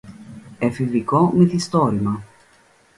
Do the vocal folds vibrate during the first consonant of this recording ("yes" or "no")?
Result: no